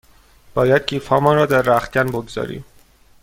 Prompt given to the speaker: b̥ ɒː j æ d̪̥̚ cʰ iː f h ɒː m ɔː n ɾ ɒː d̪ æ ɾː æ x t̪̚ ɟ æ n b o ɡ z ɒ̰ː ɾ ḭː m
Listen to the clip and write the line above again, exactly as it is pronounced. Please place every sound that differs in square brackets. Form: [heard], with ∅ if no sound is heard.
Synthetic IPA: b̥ ɒː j æ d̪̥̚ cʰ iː f h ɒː m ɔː n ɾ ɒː d̪ æ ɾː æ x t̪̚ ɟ æ n b o ɡ z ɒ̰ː ɾ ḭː m